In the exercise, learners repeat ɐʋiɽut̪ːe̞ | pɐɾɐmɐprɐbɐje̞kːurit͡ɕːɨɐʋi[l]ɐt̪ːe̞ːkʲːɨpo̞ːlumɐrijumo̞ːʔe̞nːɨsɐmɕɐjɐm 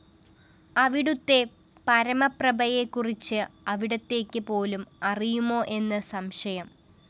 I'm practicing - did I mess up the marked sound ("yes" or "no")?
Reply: yes